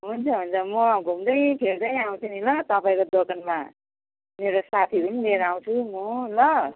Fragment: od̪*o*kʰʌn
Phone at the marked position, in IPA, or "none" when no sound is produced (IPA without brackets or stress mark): o